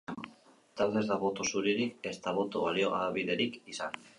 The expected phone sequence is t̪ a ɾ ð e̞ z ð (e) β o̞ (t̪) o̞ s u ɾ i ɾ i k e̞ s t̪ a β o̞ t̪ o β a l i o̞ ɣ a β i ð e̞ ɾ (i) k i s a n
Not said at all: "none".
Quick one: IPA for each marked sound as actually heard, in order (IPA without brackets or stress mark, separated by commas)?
a, t̪, i